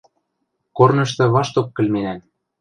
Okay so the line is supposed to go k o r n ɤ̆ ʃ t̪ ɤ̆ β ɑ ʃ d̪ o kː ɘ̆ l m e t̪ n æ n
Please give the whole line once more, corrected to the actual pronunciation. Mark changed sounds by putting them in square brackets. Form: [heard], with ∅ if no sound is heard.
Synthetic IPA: k o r n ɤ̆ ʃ t̪ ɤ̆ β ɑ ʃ [t̪] o kː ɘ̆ l m e [∅] n æ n

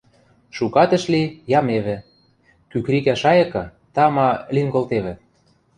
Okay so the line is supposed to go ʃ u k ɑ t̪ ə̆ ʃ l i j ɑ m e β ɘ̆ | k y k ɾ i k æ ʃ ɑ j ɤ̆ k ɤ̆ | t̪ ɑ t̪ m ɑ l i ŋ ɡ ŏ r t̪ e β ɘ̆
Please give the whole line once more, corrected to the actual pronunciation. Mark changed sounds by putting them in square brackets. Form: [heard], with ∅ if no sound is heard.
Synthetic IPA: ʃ u k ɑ t̪ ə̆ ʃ l i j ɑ m e β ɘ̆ | k y k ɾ i k æ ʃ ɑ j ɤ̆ k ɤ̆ | t̪ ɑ [∅] m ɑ l i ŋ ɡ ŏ [l] t̪ e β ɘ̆

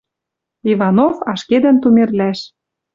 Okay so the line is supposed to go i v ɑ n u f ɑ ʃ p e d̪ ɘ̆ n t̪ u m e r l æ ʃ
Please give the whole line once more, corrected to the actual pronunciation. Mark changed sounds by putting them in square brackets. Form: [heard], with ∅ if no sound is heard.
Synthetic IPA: i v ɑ n [o] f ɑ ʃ [k] e d̪ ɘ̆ n t̪ u m e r l æ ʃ

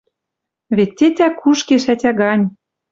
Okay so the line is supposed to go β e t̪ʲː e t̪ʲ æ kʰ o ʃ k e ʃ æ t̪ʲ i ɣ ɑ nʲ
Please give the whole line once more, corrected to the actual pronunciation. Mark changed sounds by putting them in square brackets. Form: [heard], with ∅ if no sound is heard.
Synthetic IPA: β e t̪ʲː e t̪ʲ æ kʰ [u] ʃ k e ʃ æ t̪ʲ [æ] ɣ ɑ nʲ

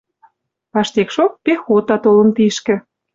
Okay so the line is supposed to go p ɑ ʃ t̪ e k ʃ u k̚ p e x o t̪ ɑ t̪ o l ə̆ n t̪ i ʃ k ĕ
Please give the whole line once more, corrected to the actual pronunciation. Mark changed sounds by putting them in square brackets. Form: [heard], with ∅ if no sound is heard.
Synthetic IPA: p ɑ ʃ t̪ e k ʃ [o] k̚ p e x o t̪ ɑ t̪ o l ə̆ n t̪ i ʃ k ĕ

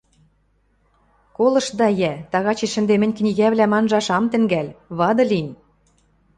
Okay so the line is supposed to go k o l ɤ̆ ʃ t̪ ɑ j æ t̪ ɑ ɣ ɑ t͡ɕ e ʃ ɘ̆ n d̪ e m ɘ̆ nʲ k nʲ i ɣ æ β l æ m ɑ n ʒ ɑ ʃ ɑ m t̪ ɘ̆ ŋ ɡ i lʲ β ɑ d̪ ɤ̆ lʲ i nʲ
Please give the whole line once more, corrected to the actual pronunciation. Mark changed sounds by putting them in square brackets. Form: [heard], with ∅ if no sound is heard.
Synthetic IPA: k o l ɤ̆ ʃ [d̪] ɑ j æ t̪ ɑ ɣ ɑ t͡ɕ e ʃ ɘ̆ n d̪ e m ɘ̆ nʲ k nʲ i ɣ æ β l æ m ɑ n ʒ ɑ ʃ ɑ m t̪ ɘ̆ ŋ ɡ [æ] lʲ β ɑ d̪ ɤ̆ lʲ i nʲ

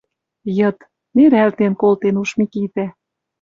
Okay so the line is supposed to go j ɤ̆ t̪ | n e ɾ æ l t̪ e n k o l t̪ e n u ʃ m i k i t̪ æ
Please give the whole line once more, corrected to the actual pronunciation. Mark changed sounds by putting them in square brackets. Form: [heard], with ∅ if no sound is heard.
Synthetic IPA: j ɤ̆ t̪ | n e ɾ æ l t̪ e n k o l t̪ e n u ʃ m i k i t̪ æ

